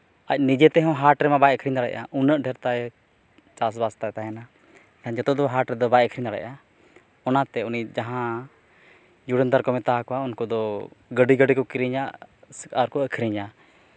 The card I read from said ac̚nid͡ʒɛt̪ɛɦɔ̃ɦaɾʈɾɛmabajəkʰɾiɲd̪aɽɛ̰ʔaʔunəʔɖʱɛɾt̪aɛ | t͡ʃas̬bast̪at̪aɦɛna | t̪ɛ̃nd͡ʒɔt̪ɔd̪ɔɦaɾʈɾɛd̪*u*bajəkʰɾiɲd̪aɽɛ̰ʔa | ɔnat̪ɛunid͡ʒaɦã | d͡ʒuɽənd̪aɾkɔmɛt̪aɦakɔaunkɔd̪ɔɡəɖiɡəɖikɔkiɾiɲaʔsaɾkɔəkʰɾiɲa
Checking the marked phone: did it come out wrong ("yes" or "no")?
yes